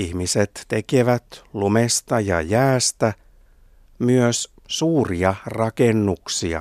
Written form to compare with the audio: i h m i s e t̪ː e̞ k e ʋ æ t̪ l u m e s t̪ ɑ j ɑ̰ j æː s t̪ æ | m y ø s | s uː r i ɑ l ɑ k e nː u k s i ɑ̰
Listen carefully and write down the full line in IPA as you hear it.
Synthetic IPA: i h m i s e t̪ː e̞ k e ʋ æ t̪ l u m e s t̪ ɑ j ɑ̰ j æː s t̪ æ | m y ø s | s uː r i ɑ r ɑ k e nː u k s i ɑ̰